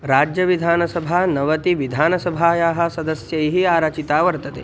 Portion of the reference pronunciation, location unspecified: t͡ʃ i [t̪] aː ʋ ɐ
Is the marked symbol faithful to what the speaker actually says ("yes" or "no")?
yes